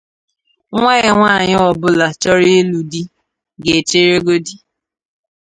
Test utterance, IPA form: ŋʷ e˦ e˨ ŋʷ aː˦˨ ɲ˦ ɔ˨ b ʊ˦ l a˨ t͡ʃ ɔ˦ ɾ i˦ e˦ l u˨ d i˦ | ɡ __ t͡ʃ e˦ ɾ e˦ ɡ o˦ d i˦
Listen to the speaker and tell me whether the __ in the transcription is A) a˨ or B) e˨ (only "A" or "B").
B